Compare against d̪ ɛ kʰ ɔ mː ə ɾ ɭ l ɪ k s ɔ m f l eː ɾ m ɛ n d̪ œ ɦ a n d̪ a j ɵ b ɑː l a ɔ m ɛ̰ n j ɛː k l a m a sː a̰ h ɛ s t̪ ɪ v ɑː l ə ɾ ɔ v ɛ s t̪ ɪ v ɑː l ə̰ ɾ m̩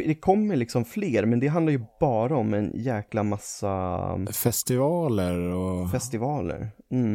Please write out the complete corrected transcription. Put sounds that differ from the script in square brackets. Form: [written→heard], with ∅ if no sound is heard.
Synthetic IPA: d̪ ɛ kʰ ɔ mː ə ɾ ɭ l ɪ k s ɔ m f l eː ɾ m ɛ n d̪ [œ→ɛ] ɦ a n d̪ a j ɵ b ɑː [l→ɾ] a ɔ m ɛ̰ n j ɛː k l a m a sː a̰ [h→f] ɛ s t̪ ɪ v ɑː l ə ɾ ɔ [v→f] ɛ s t̪ ɪ v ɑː l ə̰ ɾ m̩